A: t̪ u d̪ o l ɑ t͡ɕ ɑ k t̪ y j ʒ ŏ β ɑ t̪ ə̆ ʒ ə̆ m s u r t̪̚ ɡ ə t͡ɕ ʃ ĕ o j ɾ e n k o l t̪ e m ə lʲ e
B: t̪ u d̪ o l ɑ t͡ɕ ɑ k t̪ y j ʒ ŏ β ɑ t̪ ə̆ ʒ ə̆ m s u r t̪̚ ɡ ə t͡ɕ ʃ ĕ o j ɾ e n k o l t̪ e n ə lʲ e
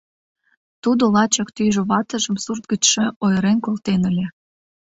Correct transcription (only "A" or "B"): B